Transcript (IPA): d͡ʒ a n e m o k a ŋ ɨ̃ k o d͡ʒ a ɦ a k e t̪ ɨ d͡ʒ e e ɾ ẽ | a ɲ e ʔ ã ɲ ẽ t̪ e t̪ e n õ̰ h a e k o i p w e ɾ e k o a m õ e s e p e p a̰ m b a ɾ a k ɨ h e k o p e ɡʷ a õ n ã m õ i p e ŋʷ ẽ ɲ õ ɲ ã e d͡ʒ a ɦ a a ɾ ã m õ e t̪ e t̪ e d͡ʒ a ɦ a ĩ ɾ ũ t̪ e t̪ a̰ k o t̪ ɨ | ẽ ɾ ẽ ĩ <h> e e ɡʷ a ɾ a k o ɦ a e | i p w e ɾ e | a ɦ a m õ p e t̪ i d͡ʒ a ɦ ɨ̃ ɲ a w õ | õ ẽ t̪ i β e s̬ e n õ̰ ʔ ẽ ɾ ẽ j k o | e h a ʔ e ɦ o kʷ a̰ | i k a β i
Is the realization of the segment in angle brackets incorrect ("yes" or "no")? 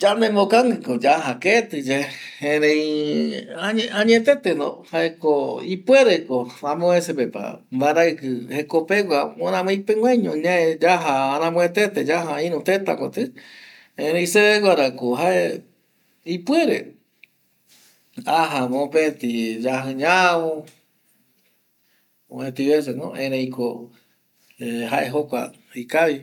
yes